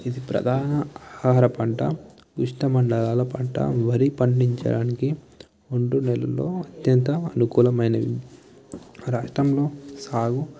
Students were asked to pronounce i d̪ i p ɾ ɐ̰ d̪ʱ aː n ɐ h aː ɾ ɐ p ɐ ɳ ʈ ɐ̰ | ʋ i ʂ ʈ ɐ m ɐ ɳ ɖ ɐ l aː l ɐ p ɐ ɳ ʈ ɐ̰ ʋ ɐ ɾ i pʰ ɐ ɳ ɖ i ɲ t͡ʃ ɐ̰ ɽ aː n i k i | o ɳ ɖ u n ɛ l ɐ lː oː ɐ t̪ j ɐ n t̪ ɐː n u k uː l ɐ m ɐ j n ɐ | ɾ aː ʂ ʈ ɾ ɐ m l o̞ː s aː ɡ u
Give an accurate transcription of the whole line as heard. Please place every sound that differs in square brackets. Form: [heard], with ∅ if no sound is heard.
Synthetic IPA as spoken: i d̪ i p ɾ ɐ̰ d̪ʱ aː n ɐ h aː ɾ ɐ p ɐ ɳ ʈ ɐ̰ | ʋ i ʂ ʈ ɐ m ɐ ɳ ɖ ɐ l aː l ɐ p ɐ ɳ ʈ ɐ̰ ʋ ɐ ɾ i [p] ɐ ɳ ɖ i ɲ t͡ʃ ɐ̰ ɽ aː n i k i | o ɳ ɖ u n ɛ l ɐ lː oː ɐ t̪ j ɐ n t̪ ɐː n u k uː l ɐ m ɐ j n ɐ | ɾ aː ʂ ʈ ɾ ɐ m l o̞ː s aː ɡ u